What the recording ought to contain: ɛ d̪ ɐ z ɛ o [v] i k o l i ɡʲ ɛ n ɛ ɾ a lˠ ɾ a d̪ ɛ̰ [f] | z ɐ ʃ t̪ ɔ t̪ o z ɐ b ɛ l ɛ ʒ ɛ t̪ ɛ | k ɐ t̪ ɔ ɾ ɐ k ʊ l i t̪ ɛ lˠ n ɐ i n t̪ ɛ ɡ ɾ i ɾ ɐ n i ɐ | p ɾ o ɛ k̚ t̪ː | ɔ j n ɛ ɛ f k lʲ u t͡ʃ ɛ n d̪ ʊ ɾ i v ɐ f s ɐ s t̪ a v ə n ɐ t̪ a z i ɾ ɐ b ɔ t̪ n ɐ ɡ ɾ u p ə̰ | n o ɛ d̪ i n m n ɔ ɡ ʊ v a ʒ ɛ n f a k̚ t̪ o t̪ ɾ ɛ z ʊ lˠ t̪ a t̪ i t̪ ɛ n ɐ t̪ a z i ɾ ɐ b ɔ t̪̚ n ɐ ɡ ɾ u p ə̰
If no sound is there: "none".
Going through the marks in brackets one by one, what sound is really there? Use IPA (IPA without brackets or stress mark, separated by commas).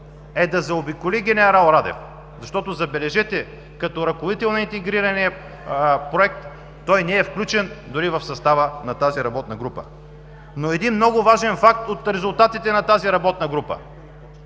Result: b, f